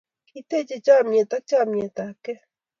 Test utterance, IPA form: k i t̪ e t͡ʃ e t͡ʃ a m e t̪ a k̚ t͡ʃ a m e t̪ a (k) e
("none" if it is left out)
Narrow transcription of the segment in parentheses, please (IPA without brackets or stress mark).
k